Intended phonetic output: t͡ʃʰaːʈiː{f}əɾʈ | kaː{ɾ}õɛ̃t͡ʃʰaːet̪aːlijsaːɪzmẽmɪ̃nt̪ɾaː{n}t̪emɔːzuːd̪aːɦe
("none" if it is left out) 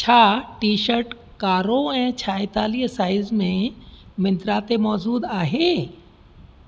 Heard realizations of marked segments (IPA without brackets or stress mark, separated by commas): ʃ, ɾ, none